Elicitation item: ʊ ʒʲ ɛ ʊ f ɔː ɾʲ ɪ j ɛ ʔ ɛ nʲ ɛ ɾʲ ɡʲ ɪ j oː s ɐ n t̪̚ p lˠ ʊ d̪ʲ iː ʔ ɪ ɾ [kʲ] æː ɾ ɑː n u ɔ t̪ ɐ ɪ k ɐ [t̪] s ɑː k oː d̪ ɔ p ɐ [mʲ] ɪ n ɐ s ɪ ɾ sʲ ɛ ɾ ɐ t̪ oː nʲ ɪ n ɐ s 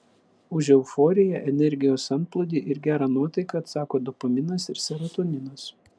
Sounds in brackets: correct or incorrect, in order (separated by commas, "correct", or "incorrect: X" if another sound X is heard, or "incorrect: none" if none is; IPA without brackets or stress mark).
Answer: incorrect: ɡʲ, correct, correct